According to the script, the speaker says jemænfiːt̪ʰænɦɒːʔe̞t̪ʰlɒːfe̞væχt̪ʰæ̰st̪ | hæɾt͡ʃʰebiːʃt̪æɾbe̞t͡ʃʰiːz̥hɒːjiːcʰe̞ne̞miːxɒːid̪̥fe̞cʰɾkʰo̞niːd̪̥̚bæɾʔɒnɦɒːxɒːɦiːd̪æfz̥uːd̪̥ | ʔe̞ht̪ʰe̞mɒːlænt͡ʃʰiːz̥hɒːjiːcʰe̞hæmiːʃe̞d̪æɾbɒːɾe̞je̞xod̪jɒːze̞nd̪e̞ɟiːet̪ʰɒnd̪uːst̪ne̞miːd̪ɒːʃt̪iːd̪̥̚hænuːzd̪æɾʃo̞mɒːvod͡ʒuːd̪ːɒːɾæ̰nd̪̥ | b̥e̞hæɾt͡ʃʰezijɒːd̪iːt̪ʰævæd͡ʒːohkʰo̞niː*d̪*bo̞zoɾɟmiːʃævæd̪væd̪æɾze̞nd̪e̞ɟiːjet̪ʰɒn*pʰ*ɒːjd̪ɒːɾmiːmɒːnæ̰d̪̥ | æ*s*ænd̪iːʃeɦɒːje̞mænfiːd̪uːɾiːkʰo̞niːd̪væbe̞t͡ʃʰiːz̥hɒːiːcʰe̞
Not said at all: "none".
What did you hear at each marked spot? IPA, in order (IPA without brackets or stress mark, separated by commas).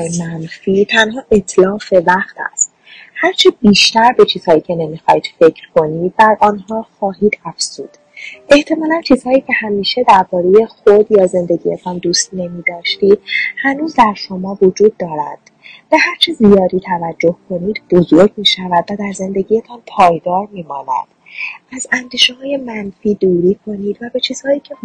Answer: d̪, pʰ, z